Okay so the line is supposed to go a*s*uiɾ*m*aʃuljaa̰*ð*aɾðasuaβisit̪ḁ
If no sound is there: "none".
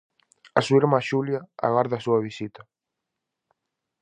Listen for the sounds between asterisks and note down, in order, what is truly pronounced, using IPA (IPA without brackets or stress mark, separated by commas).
s, m, ɣ